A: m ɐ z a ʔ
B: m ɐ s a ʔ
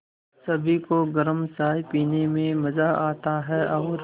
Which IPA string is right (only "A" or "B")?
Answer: A